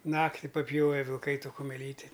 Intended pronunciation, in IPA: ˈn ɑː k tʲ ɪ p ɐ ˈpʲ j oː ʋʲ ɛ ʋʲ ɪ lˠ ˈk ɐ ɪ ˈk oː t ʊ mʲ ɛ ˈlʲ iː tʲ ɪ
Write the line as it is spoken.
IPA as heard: ˈn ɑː k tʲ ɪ p ɐ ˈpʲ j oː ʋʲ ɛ ʋʲ ɪ lˠ ˈk ɐ ɪ ˈt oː k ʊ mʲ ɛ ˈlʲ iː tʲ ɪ

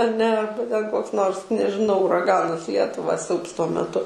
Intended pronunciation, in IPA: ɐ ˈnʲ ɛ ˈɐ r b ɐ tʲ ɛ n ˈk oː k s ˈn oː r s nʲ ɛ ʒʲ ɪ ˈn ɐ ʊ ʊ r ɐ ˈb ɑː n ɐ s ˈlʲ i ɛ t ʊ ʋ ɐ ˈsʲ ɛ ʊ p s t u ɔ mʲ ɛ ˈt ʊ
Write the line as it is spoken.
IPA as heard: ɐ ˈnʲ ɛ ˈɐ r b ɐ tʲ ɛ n ˈk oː k s ˈn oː r s nʲ ɛ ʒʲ ɪ ˈn ɐ ʊ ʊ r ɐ ˈɡ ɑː n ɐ s ˈlʲ i ɛ t ʊ ʋ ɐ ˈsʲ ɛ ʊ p s t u ɔ mʲ ɛ ˈt ʊ

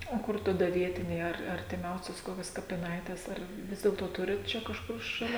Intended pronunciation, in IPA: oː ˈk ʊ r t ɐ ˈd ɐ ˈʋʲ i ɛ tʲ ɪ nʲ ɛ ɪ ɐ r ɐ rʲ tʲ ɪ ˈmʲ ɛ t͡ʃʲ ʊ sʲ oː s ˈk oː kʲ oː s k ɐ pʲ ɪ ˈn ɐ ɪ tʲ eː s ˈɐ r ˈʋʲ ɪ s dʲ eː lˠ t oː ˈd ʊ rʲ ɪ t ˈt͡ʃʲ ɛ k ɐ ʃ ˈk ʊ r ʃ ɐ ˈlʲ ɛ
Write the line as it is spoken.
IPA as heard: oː ˈk ʊ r t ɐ ˈd ɐ ˈʋʲ i ɛ tʲ ɪ nʲ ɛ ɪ ɐ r ɐ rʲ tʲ ɪ ˈmʲ ɛ ʊ sʲ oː s ˈk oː kʲ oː s k ɐ pʲ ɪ ˈn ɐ ɪ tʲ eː s ˈɐ r ˈʋʲ ɪ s dʲ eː lˠ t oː ˈt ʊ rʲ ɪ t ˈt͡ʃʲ ɛ k ɐ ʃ ˈk ʊ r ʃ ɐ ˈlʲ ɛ

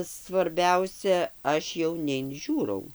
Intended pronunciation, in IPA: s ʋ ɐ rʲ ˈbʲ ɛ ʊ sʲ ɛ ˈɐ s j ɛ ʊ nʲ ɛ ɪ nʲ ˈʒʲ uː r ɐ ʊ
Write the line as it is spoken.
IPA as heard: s ʋ ɐ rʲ ˈbʲ ɛ ʊ sʲ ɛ ˈɐ ʃ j ɛ ʊ nʲ ɛ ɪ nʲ ˈʒʲ uː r ɐ ʊ

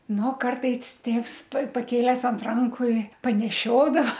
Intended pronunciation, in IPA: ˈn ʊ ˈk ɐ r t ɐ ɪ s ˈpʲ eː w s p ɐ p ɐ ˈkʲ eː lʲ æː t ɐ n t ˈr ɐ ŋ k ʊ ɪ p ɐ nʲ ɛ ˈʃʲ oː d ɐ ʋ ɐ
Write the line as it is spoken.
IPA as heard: ˈn ʊ ˈk ɐ r t ɐ ɪ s ˈtʲ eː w s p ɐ p ɐ ˈkʲ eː lʲ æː s ɐ n t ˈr ɐ ŋ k ʊ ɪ p ɐ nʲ ɛ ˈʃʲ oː d ɐ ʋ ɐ

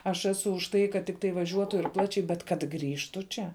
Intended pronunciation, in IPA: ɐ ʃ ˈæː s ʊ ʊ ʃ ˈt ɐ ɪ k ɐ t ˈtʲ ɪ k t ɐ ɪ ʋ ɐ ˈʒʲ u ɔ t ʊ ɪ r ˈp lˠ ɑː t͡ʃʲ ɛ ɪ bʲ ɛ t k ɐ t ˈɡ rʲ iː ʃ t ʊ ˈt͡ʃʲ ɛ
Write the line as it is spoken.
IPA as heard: ɐ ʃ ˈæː s ʊ ʊ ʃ ˈt ɐ ɪ k ɐ t ˈtʲ ɪ k t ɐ ɪ ʋ ɐ ˈʒʲ u ɔ t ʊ ɪ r ˈp lˠ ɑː t͡ʃʲ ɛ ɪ bʲ ɛ t k ɐ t ˈɡ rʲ iː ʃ t ʊ ˈt͡ʃʲ ɛ

